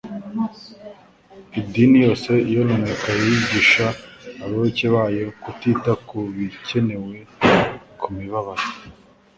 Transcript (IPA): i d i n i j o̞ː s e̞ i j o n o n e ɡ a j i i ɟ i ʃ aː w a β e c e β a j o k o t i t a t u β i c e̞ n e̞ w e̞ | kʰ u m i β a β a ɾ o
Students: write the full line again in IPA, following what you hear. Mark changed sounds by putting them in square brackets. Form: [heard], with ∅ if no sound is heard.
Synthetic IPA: i d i n i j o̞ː s e̞ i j o n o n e [k] a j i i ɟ i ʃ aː [β] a β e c e β a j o k [u] t i t a [k] u β i c e̞ n e̞ w e̞ | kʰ u m i β a β a ɾ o